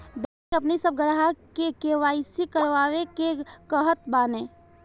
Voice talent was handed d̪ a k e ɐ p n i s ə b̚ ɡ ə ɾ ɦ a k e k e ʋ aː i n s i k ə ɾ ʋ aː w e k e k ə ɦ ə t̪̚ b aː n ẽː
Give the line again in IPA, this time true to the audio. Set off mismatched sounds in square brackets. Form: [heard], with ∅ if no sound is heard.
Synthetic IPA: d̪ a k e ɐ p n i s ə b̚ ɡ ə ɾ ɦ a k e k e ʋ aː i [∅] s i k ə ɾ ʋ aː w e k e k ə ɦ ə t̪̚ b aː n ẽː